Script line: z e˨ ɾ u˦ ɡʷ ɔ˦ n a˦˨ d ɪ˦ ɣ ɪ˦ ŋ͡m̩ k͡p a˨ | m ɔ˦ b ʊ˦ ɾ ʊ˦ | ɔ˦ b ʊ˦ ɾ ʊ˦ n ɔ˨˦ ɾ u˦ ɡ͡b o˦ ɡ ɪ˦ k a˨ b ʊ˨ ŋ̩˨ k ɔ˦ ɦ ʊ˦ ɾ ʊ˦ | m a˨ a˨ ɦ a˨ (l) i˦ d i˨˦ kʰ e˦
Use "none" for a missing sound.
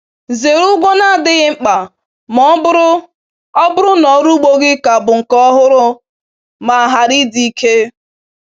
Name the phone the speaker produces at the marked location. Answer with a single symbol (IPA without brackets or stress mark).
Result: ɾ